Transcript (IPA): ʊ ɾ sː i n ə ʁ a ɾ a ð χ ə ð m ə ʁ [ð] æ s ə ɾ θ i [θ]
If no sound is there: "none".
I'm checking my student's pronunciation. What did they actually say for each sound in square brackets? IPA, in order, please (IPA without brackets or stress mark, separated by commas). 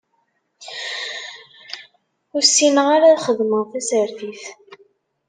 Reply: θ, θ